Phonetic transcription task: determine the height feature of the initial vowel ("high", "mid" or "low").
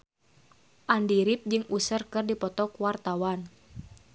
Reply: low